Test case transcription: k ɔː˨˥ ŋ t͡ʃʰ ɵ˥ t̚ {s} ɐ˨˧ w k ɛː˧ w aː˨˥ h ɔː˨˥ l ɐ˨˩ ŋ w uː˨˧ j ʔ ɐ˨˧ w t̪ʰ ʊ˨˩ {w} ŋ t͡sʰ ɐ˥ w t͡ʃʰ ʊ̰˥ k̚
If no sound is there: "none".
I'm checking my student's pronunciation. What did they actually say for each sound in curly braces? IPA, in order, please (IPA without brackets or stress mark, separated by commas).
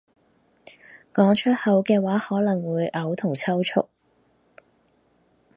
h, none